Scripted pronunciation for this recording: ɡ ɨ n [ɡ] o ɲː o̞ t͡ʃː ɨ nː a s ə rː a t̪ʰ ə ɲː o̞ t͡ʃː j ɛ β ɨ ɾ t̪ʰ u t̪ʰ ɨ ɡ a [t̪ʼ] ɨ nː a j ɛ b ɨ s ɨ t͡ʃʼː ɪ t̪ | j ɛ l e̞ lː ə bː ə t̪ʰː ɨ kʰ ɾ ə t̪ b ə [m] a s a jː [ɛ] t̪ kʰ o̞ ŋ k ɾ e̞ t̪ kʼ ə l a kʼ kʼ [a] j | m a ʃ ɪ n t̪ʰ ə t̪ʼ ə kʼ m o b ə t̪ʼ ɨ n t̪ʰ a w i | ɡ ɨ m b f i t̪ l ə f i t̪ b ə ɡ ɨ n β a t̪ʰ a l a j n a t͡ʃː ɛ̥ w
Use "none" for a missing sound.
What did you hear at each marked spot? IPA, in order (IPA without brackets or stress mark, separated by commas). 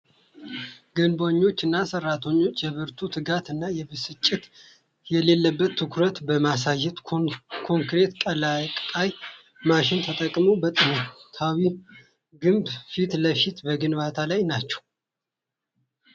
b, t̪, m, ɛ, a